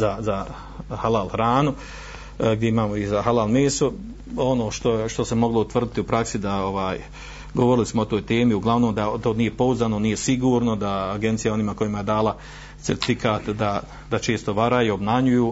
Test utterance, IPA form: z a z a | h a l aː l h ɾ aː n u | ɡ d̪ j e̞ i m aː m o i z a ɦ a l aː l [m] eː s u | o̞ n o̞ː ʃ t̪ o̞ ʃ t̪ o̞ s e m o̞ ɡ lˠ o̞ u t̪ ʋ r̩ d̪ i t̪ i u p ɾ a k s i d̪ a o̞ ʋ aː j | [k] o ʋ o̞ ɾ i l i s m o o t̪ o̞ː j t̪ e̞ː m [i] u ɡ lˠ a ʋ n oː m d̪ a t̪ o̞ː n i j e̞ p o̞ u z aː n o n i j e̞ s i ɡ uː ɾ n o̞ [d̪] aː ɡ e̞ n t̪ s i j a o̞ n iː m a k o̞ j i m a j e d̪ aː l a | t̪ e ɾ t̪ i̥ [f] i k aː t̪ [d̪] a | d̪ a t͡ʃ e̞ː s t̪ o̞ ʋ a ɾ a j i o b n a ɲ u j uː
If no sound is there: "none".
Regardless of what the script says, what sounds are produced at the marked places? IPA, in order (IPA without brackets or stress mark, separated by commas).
m, ɡ, i, d̪, f, d̪